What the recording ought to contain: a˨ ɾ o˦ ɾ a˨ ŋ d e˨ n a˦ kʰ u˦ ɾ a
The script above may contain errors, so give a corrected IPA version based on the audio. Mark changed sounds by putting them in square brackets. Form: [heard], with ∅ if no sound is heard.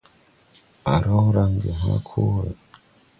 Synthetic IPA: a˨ ɾ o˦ ɾ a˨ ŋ [ɡ] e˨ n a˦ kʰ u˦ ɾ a